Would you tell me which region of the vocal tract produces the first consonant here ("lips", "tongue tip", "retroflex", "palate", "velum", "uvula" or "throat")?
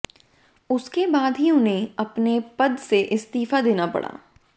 tongue tip